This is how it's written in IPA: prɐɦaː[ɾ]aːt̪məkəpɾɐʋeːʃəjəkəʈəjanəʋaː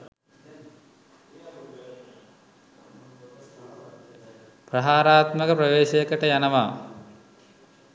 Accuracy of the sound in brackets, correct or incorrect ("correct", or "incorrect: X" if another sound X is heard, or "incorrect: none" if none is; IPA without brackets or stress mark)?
correct